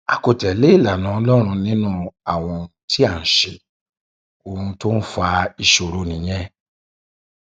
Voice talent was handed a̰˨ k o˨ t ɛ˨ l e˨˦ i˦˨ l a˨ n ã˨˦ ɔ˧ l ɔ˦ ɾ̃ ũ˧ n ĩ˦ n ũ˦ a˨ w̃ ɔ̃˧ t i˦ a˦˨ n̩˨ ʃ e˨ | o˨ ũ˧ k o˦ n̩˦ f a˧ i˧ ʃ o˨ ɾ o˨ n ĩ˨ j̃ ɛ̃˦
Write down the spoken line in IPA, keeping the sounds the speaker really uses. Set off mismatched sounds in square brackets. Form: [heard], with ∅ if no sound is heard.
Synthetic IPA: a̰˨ k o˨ t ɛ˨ l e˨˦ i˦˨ l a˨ n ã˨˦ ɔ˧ l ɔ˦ ɾ̃ ũ˧ n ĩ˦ n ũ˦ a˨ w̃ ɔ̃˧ t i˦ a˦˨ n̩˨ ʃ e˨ | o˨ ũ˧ [t] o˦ n̩˦ f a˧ i˧ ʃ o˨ ɾ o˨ n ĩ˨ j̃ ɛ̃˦